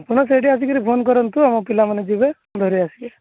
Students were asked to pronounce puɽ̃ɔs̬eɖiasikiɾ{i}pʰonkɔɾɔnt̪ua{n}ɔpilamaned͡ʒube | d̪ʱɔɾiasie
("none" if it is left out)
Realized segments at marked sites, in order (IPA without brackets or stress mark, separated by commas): i, m